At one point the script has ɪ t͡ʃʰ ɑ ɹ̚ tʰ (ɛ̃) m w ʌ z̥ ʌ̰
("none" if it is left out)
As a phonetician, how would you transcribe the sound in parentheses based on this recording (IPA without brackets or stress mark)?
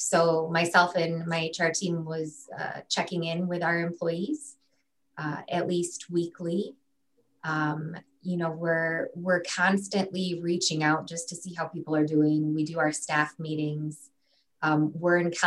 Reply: ĩ